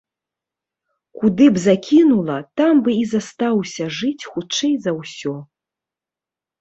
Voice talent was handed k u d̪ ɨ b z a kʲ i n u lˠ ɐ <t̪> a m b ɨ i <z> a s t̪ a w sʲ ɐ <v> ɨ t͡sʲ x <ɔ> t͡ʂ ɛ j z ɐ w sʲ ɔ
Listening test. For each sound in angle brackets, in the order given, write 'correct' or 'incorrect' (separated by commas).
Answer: correct, correct, incorrect, incorrect